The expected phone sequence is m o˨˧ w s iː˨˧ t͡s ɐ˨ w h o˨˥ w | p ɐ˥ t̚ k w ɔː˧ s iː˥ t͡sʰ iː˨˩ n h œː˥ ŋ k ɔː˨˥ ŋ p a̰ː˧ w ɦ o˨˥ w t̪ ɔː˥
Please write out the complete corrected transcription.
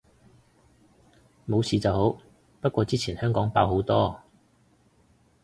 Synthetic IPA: m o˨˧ w s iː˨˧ t͡s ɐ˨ w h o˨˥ w | p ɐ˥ t̚ k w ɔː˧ t͡s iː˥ t͡sʰ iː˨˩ n h œː˥ ŋ k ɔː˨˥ ŋ p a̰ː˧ w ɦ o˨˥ w t̪ ɔː˥